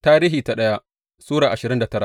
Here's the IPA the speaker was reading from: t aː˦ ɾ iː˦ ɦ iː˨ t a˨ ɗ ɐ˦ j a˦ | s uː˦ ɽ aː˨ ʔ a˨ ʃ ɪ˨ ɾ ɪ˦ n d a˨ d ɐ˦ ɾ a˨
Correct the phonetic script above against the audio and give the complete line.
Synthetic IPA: t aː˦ ɾ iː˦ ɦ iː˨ t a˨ ɗ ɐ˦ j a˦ | s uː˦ ɽ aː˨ ʔ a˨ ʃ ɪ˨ ɾ ɪ˦ n d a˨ t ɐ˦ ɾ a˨

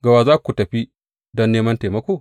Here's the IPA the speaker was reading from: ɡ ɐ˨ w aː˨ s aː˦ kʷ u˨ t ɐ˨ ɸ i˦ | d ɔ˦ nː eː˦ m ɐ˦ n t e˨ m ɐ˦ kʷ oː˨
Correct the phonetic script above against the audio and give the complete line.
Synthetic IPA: ɡ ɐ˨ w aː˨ z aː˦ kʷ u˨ t ɐ˨ ɸ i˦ | d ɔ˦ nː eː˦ m ɐ˦ n t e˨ m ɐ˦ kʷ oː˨

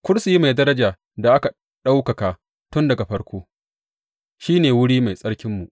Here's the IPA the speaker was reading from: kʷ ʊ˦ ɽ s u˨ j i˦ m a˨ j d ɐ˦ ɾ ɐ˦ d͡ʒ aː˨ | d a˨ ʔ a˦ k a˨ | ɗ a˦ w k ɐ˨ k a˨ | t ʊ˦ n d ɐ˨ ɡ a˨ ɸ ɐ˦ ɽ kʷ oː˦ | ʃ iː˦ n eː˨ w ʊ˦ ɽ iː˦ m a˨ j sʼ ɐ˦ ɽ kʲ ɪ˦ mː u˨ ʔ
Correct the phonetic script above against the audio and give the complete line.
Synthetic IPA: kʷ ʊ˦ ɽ s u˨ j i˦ m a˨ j d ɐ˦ ɾ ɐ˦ d͡ʒ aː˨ | d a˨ ʔ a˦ k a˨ | ɗ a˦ w k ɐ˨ k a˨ | t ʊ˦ n d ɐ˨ ɡ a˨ ɸ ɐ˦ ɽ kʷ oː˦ | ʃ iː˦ n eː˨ w ʊ˦ ɽ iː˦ m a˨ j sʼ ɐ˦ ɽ kʲ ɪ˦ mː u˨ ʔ

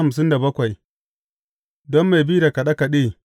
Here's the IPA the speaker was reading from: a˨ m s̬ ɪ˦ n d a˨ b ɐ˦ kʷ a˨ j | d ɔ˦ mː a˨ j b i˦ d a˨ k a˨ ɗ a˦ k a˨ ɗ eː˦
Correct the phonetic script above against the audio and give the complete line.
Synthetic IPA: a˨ m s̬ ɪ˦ n d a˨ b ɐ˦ kʷ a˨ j | d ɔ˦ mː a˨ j b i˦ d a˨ k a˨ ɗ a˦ k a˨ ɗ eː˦

